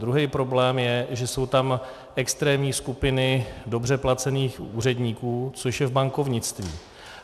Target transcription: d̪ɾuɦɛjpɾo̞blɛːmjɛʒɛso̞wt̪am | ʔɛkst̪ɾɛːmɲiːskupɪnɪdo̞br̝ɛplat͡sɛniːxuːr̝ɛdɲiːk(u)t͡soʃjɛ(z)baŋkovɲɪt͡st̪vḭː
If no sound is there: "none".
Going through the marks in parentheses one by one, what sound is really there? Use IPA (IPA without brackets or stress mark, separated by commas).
uː, v